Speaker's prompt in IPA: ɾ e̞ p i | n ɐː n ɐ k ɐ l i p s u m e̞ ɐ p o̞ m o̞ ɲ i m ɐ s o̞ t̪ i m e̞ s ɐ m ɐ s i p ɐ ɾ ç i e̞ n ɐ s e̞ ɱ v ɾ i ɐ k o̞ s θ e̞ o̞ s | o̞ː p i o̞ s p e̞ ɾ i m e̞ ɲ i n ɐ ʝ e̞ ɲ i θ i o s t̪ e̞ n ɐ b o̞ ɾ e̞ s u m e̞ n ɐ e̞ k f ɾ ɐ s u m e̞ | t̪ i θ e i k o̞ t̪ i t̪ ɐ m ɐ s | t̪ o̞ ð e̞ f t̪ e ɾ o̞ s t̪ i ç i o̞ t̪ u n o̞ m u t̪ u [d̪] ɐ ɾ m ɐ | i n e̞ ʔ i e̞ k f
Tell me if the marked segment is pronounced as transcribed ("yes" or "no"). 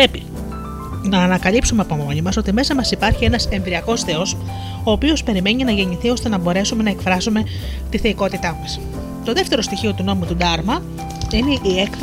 yes